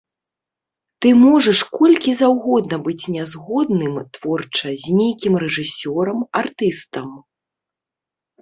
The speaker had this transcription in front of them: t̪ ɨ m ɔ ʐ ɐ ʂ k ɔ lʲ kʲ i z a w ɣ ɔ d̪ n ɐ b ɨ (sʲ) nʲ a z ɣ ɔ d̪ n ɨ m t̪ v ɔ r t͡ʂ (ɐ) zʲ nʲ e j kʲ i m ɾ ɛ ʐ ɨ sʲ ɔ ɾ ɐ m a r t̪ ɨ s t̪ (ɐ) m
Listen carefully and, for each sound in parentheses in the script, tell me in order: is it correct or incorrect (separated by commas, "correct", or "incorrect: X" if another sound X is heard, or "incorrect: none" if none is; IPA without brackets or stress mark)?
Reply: incorrect: t͡sʲ, correct, correct